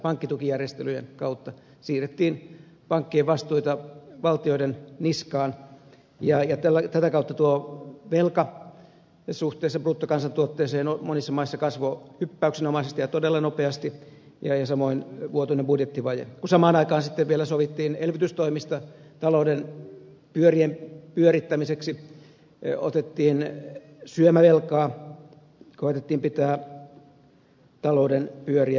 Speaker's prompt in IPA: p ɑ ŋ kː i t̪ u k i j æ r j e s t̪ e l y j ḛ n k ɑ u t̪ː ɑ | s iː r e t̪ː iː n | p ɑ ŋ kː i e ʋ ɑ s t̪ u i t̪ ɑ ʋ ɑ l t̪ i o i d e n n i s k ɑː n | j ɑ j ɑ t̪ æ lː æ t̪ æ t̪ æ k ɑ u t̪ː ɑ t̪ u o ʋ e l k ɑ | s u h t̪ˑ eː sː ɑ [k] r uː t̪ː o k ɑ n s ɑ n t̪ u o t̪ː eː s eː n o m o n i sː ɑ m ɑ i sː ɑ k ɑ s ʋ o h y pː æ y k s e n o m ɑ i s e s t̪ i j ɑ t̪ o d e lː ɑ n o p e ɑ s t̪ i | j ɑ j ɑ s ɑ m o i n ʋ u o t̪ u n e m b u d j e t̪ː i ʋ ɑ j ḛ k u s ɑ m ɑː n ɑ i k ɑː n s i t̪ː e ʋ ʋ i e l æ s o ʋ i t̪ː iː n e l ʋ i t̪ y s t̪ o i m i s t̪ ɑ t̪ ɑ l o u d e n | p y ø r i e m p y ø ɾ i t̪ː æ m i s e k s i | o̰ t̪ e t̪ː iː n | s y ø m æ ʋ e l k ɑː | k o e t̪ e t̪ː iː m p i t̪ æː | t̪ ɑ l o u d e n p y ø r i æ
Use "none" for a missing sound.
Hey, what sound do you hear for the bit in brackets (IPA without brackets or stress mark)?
p